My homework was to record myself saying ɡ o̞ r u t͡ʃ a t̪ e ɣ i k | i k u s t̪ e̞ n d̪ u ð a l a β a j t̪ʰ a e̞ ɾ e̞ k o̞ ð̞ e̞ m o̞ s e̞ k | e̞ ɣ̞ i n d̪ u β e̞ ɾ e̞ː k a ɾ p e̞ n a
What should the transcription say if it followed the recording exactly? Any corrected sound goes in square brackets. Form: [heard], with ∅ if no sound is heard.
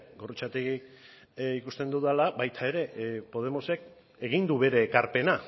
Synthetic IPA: ɡ o̞ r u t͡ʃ a t̪ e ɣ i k | i k u s t̪ e̞ n d̪ u ð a l a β a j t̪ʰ a e̞ ɾ e̞ [p] o̞ ð̞ e̞ m o̞ s e̞ k | e̞ ɣ̞ i n d̪ u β e̞ ɾ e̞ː k a ɾ p e̞ n a